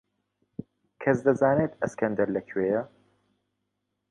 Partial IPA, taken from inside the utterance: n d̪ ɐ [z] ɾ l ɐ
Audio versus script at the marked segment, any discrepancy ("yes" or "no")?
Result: yes